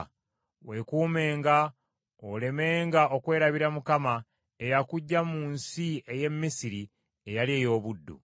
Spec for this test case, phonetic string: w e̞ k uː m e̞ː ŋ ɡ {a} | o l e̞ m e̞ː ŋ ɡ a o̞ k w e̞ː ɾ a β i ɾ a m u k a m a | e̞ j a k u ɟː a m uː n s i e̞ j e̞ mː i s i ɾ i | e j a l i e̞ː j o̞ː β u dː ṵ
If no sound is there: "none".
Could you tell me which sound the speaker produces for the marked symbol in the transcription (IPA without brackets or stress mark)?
a